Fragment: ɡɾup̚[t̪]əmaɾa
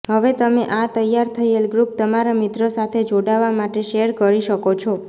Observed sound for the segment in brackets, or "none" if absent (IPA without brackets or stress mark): t̪